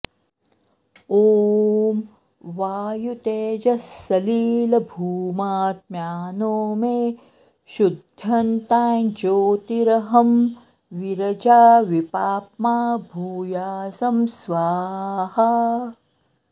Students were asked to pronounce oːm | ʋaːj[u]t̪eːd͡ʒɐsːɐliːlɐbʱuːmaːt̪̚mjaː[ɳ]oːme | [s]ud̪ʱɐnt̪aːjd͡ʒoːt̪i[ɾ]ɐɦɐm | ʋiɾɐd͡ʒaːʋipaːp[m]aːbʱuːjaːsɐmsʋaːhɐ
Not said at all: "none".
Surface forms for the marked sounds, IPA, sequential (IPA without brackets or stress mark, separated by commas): u, n, ʃ, ɾ, m